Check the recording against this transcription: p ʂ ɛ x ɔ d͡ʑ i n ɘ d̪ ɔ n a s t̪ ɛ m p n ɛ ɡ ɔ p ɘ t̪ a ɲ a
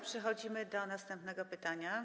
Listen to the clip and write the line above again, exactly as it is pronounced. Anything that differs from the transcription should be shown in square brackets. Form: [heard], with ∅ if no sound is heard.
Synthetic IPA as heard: p ʂ ɛ x ɔ d͡ʑ i [m] ɘ d̪ ɔ n a s t̪ ɛ m p n ɛ ɡ ɔ p ɘ t̪ a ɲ a